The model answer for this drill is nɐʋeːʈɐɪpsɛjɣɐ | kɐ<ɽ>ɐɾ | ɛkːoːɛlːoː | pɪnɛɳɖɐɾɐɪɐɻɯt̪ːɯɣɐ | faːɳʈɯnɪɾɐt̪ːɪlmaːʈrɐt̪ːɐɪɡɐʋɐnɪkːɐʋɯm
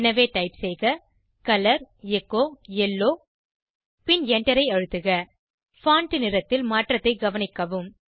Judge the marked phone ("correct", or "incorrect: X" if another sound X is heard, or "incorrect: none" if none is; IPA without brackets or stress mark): incorrect: l